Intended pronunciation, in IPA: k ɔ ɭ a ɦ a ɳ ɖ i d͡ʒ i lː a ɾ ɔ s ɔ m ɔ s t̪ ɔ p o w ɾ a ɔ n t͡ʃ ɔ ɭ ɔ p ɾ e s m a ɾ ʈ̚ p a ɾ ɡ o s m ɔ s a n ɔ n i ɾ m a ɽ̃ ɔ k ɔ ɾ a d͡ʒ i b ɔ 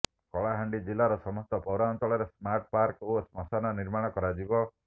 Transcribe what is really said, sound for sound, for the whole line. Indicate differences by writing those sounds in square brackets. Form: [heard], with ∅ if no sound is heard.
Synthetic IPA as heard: k ɔ ɭ a ɦ a ɳ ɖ i d͡ʒ i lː a ɾ ɔ s ɔ m ɔ s t̪ ɔ p [ɔ] w ɾ a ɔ n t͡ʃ ɔ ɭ ɔ [∅] ɾ e s m a ɾ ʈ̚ p a ɾ [k] o s m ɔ s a n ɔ n i ɾ m a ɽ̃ ɔ k ɔ ɾ a d͡ʒ i b ɔ